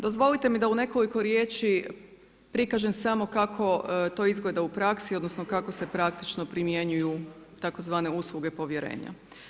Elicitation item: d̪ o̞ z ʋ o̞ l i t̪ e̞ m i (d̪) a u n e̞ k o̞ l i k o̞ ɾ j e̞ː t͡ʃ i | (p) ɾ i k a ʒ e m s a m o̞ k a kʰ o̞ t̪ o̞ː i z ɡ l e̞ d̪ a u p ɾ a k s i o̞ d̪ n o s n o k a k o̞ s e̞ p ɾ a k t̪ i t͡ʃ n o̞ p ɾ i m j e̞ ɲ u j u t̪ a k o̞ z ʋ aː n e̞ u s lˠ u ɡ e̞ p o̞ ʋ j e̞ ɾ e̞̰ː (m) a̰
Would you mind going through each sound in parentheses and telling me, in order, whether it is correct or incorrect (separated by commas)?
correct, correct, incorrect